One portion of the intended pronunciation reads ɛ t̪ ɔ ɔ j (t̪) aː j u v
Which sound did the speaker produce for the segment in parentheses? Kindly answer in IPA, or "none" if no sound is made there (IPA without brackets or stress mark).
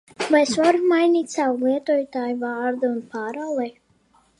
t̪